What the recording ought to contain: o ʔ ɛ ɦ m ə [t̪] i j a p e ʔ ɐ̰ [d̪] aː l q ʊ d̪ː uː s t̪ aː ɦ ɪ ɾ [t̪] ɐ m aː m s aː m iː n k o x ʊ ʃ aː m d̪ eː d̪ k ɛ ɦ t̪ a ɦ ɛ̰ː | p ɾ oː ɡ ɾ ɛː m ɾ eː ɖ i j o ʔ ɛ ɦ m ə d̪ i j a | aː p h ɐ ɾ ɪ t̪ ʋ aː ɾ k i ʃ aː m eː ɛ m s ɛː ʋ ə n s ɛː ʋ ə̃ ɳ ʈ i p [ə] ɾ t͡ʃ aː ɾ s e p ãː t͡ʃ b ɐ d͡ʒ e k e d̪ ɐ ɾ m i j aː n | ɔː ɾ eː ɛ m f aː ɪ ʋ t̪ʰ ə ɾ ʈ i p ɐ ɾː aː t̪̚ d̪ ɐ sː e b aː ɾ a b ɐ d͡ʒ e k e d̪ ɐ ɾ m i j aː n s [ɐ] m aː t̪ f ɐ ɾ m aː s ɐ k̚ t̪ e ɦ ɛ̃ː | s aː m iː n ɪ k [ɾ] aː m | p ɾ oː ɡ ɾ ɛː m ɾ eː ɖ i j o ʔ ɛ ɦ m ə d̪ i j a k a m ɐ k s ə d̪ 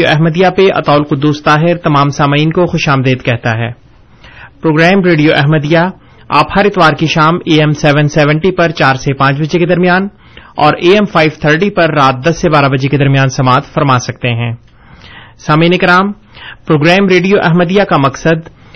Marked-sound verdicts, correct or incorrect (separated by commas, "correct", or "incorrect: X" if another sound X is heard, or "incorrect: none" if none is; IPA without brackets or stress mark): incorrect: d̪, incorrect: t̪, correct, incorrect: ɐ, correct, correct